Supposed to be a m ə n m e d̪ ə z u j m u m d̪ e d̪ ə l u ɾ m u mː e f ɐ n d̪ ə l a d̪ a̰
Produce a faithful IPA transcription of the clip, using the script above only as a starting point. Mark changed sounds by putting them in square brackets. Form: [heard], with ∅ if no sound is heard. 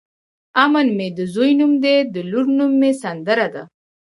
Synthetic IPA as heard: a m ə n m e d̪ ə z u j [n] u m d̪ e d̪ ə l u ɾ [n] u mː e [s] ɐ n d̪ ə [ɾ] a d̪ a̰

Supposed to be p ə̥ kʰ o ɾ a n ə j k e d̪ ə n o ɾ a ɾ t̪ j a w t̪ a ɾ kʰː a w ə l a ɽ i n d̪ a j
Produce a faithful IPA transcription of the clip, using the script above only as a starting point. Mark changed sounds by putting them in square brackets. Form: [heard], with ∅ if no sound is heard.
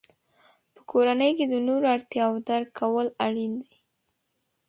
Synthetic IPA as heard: p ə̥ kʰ o ɾ a n ə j k e d̪ ə n o ɾ a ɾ t̪ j [ɑ] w [d̪] a ɾ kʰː a w ə l a ɽ i n d̪ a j

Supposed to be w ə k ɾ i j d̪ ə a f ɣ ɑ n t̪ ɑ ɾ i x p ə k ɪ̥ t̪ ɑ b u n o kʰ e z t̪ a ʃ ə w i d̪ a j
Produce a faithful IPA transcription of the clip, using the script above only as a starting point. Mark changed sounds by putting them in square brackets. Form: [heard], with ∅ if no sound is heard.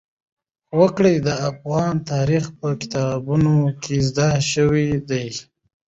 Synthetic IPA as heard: w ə k [ɽ] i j d̪ ə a f ɣ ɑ n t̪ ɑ ɾ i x p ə k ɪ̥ t̪ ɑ b u n o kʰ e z [d̪] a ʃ ə w i d̪ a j

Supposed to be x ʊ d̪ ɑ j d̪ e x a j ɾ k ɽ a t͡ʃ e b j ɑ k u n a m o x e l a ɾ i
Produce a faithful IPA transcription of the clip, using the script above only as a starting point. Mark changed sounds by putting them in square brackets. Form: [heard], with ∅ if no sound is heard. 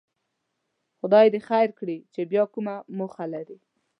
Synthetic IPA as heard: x ʊ d̪ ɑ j d̪ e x a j ɾ k ɽ [i] t͡ʃ e b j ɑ k u [m] a m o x [a] l a ɾ i

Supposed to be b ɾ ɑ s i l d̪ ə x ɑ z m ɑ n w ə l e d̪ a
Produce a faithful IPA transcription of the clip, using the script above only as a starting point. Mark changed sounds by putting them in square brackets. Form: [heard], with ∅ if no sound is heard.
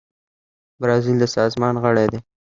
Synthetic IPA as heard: b ɾ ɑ [z] i l d̪ ə [s] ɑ z m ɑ n [ɣ] ə [ɽ] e d̪ [e]

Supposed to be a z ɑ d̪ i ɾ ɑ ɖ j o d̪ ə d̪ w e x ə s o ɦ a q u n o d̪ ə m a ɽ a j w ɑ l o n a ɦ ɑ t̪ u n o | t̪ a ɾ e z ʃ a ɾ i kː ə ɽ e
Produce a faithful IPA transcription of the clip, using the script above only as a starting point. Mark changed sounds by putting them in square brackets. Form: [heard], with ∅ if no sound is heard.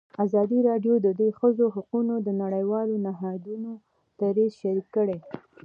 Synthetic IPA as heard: a z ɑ d̪ i ɾ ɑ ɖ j o d̪ ə d̪ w e x ə [z] o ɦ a q u n o d̪ ə [n] a ɽ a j w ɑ l o n a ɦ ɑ [d̪] u n o | t̪ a ɾ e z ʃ a ɾ i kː ə ɽ e

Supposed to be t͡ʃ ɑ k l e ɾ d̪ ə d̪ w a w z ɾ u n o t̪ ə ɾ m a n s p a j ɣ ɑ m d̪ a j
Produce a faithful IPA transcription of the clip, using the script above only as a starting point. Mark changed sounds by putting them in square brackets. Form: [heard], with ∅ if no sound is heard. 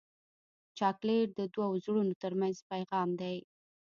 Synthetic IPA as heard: t͡ʃ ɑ k l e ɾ d̪ ə d̪ w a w z [ɽ] u n o t̪ ə ɾ m a n [z] p a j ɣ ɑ m d̪ a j

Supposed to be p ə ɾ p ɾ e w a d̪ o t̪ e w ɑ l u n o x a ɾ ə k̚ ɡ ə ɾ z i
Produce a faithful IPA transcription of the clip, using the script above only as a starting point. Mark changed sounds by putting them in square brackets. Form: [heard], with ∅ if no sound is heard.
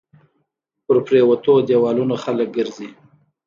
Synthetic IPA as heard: p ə ɾ p ɾ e w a [t̪] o [d̪] e w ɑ l u n o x a [l] ə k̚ ɡ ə ɾ z i

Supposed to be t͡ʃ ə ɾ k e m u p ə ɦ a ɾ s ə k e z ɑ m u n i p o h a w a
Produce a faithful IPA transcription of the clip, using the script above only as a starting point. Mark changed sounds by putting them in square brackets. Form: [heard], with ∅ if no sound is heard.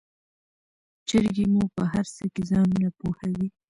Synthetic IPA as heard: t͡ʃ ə ɾ [ɡ] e m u p ə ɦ a ɾ s ə k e z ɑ [n] u n [a] p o h a w [i]

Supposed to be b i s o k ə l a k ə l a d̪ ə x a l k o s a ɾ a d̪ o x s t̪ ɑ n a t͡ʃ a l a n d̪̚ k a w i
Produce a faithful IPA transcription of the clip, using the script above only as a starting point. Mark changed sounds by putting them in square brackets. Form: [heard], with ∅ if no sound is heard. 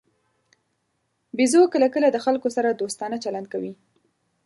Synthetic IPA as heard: b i [z] o k ə l a k ə l a d̪ ə x a l k o s a ɾ a d̪ o [∅] s t̪ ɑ n a t͡ʃ a l a n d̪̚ k a w i

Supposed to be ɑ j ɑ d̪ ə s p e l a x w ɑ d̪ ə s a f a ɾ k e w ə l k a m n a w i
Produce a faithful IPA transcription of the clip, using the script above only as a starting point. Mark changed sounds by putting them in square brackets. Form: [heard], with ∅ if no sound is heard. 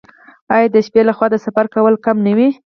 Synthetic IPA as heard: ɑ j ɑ d̪ ə [ʃ] p e l a x w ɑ d̪ ə s a f a ɾ k [a] w ə l k a m n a w i

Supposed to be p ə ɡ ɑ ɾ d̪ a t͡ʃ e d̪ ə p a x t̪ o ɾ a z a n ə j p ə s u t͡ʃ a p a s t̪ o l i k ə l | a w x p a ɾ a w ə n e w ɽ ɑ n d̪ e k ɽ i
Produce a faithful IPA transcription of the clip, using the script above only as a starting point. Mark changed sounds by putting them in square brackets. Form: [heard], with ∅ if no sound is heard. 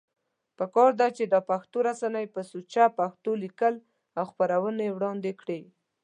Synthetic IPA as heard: p ə [k] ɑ ɾ d̪ a t͡ʃ e d̪ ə p a x t̪ o ɾ a [s] a n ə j p ə s u t͡ʃ a p a [x] t̪ o l i k ə l | a w x p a ɾ a w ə n e w ɽ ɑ n d̪ e k ɽ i

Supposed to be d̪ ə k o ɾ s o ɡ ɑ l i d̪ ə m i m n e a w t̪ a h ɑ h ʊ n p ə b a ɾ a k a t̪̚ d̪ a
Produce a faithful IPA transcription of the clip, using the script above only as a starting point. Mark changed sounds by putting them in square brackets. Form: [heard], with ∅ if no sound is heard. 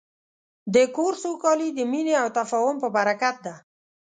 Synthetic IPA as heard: d̪ ə k o ɾ s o [k] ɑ l i d̪ ə m i [∅] n e a w t̪ a [f] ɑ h ʊ [m] p ə b a ɾ a k a t̪̚ d̪ a

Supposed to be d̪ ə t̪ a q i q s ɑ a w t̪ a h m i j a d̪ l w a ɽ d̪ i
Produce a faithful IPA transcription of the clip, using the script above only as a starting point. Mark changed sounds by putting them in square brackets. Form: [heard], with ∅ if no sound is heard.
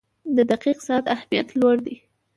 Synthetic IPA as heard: d̪ ə [d̪] a q i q s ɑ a [∅] t̪ a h m i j a [t̪] l w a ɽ d̪ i

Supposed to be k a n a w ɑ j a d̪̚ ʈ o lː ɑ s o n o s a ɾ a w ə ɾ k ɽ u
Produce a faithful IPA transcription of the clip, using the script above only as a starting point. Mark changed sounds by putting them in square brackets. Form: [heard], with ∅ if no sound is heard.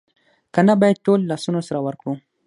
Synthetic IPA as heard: k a n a [b] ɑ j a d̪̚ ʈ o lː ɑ s [u] n o s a ɾ a w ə ɾ k ɽ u

